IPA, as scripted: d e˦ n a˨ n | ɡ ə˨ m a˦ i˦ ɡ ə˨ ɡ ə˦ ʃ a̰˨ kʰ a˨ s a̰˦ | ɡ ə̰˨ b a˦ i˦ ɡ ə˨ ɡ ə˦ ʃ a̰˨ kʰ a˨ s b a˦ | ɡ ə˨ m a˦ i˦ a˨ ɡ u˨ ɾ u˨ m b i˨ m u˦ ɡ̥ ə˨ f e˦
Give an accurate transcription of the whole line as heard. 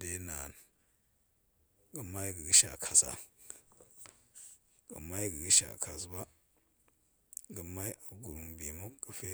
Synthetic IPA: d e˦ n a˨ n | ɡ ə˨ m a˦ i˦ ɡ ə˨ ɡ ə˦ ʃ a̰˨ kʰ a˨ s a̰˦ | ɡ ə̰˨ m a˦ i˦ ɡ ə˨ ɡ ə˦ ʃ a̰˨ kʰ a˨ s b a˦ | ɡ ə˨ m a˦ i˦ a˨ ɡ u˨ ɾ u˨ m b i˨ m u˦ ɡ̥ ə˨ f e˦